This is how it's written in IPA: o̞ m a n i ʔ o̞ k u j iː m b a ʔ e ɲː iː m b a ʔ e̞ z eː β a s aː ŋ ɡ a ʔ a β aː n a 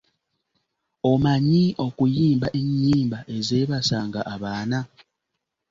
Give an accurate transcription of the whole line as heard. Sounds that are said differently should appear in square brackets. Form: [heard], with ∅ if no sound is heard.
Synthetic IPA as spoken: o̞ m a [ɲ] i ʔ o̞ k u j iː m b a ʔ e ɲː iː m b a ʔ e̞ z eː β a s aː ŋ ɡ a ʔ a β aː n a